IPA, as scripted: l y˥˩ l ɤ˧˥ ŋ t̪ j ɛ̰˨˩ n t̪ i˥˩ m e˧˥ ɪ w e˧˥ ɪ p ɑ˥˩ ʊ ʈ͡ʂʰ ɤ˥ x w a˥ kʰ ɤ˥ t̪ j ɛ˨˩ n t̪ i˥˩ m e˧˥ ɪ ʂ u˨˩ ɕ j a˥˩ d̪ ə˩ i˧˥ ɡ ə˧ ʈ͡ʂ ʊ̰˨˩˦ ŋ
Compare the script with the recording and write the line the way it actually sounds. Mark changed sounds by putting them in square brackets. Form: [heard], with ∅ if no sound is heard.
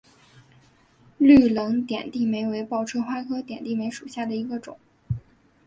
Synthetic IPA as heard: l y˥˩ l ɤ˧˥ ŋ t̪ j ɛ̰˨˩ n t̪ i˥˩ m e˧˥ ɪ w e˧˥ ɪ p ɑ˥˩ ʊ ʈ͡ʂʰ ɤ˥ x w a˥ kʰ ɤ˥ t̪ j ɛ˨˩ n t̪ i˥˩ m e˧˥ ɪ ʂ u˨˩ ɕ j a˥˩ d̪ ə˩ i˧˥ ɡ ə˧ ʈ͡ʂ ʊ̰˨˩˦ ŋ